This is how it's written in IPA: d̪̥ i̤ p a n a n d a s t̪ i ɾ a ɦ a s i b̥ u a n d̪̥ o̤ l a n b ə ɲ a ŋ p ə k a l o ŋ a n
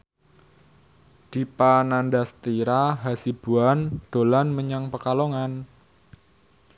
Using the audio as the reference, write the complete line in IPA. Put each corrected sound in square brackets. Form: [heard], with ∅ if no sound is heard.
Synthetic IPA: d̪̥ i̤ p a n a n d a s t̪ i ɾ a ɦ a s i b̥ u a n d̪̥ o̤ l a n [m] ə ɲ a ŋ p ə k a l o ŋ a n